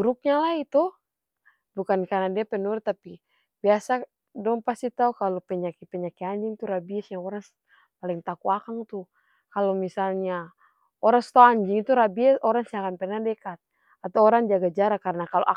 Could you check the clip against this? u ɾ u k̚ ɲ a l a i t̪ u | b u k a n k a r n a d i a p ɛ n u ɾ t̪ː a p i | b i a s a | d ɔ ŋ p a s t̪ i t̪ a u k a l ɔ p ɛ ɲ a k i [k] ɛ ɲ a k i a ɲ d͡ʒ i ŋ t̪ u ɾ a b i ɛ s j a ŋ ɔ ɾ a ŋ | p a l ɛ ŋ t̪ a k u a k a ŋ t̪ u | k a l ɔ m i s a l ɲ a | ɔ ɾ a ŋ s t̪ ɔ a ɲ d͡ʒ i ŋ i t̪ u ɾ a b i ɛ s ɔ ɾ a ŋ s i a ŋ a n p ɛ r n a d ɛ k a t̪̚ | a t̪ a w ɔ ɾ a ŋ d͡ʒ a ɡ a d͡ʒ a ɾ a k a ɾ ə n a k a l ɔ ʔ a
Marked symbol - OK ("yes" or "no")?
no